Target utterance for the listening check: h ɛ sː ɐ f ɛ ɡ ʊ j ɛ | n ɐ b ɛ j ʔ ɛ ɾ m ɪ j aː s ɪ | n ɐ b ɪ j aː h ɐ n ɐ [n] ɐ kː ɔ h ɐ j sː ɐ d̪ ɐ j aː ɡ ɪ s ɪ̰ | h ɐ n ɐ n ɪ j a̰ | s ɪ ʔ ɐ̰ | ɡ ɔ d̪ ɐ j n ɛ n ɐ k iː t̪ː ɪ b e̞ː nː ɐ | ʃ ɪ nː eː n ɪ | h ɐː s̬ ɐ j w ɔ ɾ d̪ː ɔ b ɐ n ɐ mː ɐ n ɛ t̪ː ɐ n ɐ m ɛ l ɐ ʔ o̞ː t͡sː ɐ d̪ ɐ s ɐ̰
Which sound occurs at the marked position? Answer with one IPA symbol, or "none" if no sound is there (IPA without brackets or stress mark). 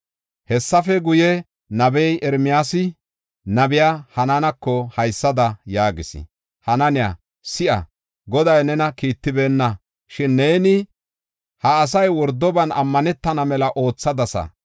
n